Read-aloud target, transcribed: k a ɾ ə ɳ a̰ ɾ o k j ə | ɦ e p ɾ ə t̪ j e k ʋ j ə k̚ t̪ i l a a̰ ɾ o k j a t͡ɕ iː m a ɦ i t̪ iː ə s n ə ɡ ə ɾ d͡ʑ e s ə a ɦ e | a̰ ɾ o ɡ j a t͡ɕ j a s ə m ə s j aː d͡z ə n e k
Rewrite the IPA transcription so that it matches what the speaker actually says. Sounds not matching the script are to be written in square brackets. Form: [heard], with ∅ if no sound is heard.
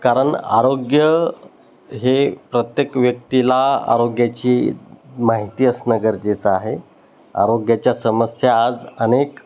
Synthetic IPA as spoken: k a ɾ ə ɳ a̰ ɾ o [ɡ] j ə | ɦ e p ɾ ə t̪ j e k ʋ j ə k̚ t̪ i l a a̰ ɾ o [ɡ] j a t͡ɕ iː m a ɦ i t̪ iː ə s n ə ɡ ə ɾ d͡ʑ e [t͡s] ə a ɦ e | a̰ ɾ o ɡ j a t͡ɕ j a s ə m ə s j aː d͡z ə n e k

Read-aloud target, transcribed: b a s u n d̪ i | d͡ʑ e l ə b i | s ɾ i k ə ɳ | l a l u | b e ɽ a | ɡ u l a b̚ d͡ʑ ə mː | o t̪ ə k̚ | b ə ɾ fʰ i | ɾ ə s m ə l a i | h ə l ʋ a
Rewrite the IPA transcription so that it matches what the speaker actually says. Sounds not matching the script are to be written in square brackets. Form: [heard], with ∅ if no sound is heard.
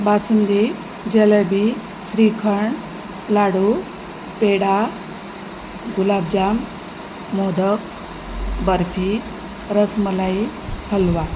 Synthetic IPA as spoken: b a s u n d̪ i | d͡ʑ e l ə b i | s ɾ i [kʰ] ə ɳ | l a [ɽ] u | [p] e ɽ a | ɡ u l a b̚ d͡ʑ [a] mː | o [d̪] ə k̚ | b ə ɾ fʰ i | ɾ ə s m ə l a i | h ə l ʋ a

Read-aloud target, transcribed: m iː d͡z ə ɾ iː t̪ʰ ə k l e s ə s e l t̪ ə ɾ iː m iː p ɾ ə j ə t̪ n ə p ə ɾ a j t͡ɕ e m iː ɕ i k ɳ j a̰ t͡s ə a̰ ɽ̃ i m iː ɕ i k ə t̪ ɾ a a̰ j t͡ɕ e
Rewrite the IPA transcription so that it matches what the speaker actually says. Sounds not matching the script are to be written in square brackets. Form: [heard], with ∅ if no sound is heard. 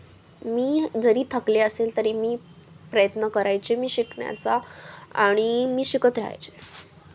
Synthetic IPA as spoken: m iː d͡z ə ɾ iː t̪ʰ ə k l e [∅] ə s e l t̪ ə ɾ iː m iː p ɾ ə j ə t̪ n ə [k] ə ɾ a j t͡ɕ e m iː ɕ i k ɳ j a̰ t͡s [a] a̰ ɽ̃ i m iː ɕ i k ə t̪ ɾ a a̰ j t͡ɕ e

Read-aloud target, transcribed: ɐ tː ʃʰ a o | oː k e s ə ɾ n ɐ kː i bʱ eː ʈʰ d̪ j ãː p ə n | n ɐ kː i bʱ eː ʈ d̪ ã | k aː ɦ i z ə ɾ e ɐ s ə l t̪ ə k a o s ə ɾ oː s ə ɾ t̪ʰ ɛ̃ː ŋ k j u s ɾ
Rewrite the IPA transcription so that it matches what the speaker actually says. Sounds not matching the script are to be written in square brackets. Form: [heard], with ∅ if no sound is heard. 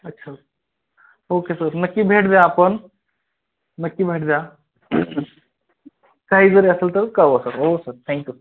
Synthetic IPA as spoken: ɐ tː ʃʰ a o | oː k e s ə ɾ n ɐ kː i bʱ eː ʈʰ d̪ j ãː p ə n | n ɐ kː i bʱ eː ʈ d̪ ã | k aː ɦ i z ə ɾ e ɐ s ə l t̪ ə k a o s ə ɾ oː s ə ɾ t̪ʰ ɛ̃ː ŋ k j u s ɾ

